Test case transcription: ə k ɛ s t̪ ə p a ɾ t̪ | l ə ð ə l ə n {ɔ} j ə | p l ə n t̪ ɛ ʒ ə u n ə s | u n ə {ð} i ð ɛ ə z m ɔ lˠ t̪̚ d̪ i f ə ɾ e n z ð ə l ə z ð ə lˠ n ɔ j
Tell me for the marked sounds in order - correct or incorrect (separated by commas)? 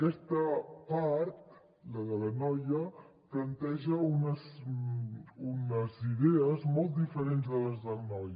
correct, incorrect